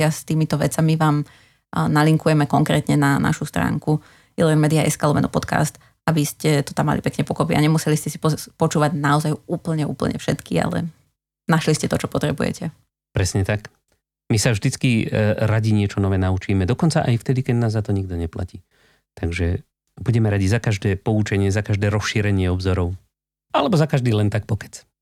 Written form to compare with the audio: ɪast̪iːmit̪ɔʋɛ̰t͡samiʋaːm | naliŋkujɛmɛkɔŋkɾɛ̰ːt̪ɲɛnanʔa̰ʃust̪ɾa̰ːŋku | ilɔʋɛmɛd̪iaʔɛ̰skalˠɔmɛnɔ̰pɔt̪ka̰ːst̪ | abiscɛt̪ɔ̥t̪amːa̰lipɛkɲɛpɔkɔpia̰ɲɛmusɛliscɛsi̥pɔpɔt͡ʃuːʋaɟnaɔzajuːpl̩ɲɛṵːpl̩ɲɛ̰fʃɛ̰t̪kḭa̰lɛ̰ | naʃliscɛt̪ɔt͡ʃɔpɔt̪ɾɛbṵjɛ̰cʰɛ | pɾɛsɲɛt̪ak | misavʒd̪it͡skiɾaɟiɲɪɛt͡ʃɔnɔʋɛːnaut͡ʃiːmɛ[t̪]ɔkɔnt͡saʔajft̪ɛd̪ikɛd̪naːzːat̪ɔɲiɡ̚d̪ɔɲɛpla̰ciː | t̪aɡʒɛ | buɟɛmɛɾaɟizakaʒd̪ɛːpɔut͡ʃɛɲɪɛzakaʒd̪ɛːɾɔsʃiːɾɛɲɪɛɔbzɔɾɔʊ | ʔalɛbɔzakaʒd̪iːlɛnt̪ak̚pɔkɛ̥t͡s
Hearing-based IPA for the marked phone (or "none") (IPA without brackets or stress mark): d̪